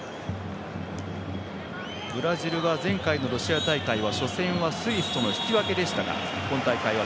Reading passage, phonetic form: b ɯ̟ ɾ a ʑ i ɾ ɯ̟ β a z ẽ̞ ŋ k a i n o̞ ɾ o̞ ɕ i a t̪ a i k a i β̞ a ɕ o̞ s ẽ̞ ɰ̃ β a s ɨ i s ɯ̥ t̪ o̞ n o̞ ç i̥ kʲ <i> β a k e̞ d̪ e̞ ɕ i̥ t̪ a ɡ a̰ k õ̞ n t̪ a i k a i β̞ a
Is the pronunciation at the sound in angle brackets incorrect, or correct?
correct